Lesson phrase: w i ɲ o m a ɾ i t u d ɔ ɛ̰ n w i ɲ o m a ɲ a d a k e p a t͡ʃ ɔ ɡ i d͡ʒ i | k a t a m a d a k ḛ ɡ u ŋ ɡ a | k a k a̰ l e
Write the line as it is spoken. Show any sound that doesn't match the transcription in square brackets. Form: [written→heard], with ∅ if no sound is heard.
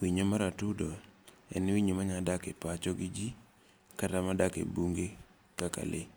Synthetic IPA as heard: w i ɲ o m a ɾ [i→a] t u d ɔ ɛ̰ n w i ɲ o m a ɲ a d a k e p a t͡ʃ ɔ ɡ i d͡ʒ i | k a t a m a d a k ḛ [ɡ→b] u ŋ ɡ [a→e] | k a k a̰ l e